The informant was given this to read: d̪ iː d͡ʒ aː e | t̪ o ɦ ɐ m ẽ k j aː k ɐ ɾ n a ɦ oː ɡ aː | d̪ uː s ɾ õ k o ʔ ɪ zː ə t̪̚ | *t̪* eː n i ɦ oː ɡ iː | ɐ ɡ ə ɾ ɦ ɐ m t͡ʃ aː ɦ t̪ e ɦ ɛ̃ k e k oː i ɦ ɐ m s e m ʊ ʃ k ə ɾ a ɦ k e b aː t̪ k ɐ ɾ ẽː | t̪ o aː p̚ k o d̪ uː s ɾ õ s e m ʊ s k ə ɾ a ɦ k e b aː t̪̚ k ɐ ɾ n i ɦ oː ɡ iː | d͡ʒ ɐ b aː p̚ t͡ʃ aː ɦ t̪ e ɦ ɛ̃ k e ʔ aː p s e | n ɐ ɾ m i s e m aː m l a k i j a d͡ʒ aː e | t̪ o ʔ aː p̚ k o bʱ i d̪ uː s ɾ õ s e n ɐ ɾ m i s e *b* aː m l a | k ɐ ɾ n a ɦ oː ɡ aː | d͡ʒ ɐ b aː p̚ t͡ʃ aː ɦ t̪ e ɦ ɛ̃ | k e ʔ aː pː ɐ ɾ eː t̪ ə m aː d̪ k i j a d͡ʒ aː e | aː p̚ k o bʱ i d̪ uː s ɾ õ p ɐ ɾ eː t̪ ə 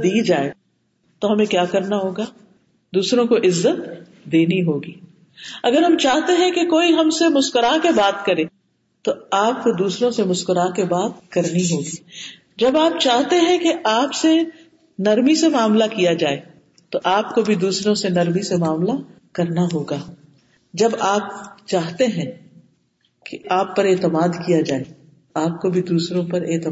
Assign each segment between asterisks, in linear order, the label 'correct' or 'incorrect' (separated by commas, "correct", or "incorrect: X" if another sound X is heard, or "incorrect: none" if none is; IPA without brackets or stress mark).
incorrect: d̪, incorrect: m